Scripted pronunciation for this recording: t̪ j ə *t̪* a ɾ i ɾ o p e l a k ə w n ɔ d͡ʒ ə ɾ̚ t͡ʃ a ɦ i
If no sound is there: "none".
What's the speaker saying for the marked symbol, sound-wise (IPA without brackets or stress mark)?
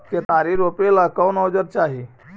t̪